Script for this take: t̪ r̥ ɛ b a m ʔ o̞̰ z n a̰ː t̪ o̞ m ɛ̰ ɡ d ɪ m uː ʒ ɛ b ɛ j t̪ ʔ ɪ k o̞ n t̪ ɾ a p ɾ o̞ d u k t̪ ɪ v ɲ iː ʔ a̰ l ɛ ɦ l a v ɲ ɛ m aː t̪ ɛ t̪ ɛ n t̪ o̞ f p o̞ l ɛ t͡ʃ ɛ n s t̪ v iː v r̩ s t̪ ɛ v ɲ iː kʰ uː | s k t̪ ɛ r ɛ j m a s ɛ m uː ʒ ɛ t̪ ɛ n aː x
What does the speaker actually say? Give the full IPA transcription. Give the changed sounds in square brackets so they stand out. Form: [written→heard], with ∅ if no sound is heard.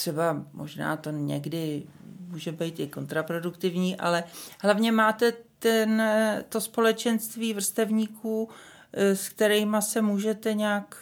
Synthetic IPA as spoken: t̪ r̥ ɛ b a m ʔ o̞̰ [z→ʒ] n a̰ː t̪ o̞ [m→ɲ] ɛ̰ ɡ d ɪ m uː ʒ ɛ b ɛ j t̪ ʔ ɪ k o̞ n t̪ ɾ a p ɾ o̞ d u k t̪ ɪ v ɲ iː ʔ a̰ l ɛ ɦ l a v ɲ ɛ m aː t̪ ɛ t̪ ɛ n t̪ o̞ [f→s] p o̞ l ɛ t͡ʃ ɛ n s t̪ v iː v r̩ s t̪ ɛ v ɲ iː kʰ uː | s k t̪ ɛ [r→ɾ] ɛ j m a s ɛ m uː ʒ ɛ t̪ ɛ [n→ɲ] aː [x→k]